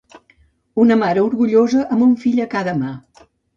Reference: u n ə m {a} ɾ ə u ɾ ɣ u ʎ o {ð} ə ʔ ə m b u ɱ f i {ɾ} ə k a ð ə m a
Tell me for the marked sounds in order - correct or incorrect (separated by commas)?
correct, incorrect, incorrect